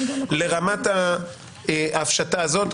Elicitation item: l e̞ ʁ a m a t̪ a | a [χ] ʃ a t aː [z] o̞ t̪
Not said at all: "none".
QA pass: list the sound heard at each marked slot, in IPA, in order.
f, z

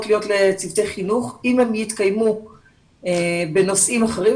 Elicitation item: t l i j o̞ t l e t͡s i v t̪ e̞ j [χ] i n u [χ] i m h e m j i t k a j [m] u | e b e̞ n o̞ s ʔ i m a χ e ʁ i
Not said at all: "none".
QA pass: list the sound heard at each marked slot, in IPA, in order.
χ, χ, m

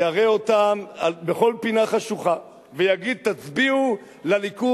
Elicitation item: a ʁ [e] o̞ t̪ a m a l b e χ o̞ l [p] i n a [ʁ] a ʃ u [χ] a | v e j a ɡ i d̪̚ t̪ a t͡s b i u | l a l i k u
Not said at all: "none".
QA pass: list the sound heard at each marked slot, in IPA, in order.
e, p, χ, χ

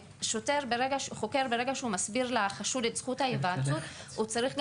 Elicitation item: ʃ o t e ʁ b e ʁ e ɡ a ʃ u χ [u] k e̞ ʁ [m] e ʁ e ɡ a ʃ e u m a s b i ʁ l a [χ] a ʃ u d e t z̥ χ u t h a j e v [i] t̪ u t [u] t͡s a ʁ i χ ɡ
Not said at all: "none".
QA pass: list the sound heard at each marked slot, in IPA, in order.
o, b, χ, a, u

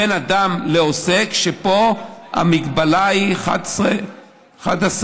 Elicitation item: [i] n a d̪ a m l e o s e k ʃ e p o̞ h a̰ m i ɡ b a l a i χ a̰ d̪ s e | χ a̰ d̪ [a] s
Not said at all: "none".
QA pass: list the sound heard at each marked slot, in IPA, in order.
e, a

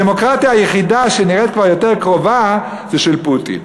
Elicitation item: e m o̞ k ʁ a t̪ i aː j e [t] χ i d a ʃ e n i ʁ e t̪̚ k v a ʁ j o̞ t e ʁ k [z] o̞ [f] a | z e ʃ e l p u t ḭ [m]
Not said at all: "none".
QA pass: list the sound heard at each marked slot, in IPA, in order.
none, ʁ, v, n

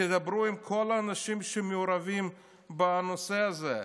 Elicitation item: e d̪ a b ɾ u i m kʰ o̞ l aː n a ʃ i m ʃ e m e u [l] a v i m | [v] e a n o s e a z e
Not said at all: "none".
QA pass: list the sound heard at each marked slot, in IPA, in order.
ɾ, b

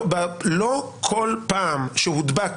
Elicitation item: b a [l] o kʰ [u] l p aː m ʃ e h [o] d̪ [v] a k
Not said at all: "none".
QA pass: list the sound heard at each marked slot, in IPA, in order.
l, o, u, b

